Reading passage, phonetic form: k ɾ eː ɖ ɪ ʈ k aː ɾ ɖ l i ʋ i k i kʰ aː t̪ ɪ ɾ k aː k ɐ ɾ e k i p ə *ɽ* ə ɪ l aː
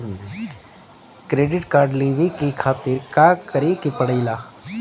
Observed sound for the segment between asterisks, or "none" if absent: ɽ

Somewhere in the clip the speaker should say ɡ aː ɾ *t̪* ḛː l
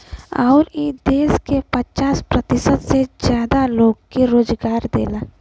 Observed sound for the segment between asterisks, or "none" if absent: d̪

